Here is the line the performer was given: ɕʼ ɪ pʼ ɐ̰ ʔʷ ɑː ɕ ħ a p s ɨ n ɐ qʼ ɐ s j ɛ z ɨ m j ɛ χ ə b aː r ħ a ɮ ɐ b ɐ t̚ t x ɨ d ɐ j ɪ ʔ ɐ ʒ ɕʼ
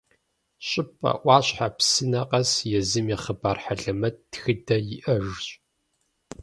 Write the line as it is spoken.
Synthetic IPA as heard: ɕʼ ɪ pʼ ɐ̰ ʔʷ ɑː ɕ ħ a p s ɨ n ɐ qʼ ɐ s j ɛ z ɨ m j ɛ χ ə b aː r ħ a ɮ ɐ m ɐ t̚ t x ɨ d ɐ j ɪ ʔ ɐ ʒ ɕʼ